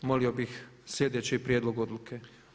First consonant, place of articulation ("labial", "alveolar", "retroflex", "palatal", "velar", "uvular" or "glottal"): labial